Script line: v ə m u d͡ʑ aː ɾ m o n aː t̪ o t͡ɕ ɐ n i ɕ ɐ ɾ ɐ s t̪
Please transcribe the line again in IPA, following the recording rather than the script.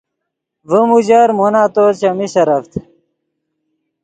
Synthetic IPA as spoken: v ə m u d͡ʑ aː ɾ m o n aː t̪ o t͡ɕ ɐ m i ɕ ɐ ɾ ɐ f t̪